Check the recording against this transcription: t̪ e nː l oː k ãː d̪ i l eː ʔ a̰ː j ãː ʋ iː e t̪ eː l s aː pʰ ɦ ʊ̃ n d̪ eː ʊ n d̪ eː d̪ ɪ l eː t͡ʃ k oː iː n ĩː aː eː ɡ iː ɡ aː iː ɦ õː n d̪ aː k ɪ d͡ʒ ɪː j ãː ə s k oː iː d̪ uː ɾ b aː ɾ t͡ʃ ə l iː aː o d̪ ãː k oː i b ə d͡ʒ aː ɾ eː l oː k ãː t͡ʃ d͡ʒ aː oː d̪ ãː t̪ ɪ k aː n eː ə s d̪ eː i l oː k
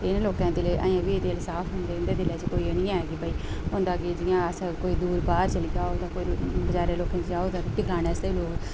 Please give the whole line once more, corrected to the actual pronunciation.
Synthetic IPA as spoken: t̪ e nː l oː k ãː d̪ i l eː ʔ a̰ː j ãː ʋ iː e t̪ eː l s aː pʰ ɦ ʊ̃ n d̪ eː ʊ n d̪ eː d̪ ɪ l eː t͡ʃ k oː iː n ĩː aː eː ɡ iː b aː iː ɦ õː n d̪ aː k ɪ d͡ʒ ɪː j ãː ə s k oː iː d̪ uː ɾ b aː ɾ t͡ʃ ə l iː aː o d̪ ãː k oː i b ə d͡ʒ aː ɾ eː l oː k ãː t͡ʃ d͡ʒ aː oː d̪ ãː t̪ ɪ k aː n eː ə s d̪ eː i l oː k

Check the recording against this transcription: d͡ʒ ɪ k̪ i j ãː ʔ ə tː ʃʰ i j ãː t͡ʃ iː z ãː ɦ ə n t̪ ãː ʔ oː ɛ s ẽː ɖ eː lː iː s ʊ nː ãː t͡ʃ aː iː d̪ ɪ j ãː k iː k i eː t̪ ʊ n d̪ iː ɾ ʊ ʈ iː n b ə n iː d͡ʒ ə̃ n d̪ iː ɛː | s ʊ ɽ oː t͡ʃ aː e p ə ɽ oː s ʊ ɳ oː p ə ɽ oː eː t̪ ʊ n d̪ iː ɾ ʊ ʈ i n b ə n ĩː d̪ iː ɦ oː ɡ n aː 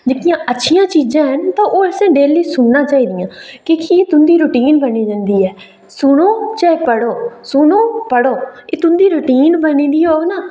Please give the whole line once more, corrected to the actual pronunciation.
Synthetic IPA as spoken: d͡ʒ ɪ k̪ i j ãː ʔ ə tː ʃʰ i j ãː t͡ʃ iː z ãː ɦ ə n t̪ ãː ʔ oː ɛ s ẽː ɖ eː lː iː s ʊ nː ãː t͡ʃ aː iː d̪ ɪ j ãː k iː k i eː t̪ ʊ n d̪ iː ɾ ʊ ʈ iː n b ə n iː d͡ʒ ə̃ n d̪ iː ɛː | s ʊ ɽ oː t͡ʃ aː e p ə ɽ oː s ʊ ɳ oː p ə ɽ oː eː t̪ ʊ n d̪ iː ɾ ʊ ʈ iː n b ə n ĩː d̪ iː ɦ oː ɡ n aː

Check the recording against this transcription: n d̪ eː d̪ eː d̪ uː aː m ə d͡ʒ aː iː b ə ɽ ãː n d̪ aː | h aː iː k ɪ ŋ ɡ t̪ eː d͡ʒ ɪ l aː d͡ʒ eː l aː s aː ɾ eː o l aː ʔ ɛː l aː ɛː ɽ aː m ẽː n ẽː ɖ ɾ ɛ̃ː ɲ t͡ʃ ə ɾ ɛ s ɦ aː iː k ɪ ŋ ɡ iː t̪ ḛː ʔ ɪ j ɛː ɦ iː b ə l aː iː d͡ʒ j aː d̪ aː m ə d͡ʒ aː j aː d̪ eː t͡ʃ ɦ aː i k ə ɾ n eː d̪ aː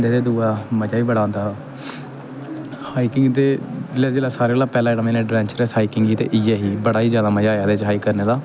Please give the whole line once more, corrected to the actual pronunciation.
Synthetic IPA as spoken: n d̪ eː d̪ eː d̪ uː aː m ə d͡ʒ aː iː b ə ɽ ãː n d̪ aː | h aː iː k ɪ ŋ ɡ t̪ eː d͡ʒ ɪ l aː d͡ʒ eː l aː s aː ɾ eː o l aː p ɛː l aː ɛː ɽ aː m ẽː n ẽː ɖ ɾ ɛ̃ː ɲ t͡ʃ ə ɾ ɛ s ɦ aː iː k ɪ ŋ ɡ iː t̪ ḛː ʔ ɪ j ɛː ɦ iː b ə ɽ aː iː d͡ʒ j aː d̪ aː m ə d͡ʒ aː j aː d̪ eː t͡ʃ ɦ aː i k ə ɾ n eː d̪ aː

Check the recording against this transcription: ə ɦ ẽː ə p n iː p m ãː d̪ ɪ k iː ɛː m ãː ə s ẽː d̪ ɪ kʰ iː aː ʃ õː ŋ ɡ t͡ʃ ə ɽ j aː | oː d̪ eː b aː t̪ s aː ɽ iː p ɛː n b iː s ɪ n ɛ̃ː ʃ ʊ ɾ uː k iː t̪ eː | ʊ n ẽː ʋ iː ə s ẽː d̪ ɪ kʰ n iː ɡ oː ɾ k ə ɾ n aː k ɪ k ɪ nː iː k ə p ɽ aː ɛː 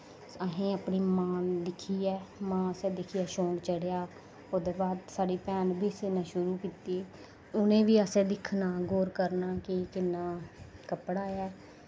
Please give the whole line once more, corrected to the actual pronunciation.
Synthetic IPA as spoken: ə ɦ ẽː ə p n iː m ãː d̪ ɪ kʰ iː ɛː m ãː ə s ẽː d̪ ɪ kʰ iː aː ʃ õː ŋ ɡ t͡ʃ ə ɽ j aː | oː d̪ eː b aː d̪ s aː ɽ iː p ɛː n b iː s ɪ n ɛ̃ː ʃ ʊ ɾ uː k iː t̪ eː | ʊ n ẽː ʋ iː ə s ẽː d̪ ɪ kʰ n aː ɡ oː ɾ k ə ɾ n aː k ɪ k ɪ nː aː k ə p ɽ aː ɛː

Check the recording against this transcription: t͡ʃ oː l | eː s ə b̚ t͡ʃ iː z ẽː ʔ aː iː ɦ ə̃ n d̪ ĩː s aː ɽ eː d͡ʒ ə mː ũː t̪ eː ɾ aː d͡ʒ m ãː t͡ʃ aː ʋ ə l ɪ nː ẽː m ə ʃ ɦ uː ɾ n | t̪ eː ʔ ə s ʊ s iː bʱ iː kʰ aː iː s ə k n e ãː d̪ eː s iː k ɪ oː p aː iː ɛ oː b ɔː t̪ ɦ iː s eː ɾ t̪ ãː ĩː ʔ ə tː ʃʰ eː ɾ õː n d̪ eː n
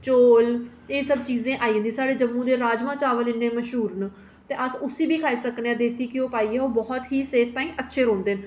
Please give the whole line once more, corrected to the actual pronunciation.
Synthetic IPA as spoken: t͡ʃ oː l | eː s ə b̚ t͡ʃ iː z ẽː ʔ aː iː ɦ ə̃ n d̪ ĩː s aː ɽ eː d͡ʒ ə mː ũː d̪ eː ɾ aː d͡ʒ m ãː t͡ʃ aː ʋ ə l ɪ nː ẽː m ə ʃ ɦ uː ɾ n | t̪ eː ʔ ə s ʊ s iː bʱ iː kʰ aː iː s ə k n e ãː d̪ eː s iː k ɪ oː p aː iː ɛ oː b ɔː t̪ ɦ iː s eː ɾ t̪ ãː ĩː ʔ ə tː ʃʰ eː ɾ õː n d̪ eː n

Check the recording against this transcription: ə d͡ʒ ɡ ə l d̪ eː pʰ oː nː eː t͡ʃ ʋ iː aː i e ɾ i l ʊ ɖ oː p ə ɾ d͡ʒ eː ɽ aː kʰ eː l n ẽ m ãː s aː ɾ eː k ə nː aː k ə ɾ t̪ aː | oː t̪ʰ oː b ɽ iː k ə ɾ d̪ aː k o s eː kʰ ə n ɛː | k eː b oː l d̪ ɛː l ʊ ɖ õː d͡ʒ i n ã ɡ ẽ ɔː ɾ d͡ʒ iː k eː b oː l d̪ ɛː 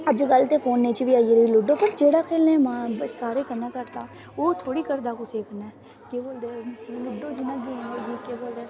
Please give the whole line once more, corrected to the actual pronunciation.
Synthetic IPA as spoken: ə d͡ʒ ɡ ə l t̪ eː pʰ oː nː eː t͡ʃ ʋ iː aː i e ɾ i l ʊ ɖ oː p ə ɾ d͡ʒ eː ɽ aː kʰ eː l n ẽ m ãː s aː ɾ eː k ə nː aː k ə ɾ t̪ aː | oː t̪ʰ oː ɽ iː k ə ɾ d̪ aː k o s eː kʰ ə n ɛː | k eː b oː l d̪ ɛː l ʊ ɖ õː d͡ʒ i n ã ɡ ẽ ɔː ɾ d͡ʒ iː k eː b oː l d̪ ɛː

